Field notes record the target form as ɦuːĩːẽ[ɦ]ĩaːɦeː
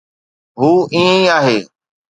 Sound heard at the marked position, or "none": none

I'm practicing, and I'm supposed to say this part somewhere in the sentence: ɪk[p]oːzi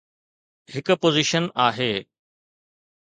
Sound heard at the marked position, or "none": p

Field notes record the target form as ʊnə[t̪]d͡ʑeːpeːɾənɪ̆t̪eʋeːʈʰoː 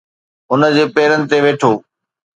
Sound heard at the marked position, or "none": none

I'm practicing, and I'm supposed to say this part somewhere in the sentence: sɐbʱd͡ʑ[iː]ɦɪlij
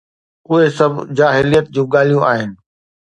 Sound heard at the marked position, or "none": aː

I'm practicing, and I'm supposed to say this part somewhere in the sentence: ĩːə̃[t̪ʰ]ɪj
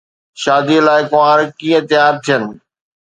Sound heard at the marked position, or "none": t̪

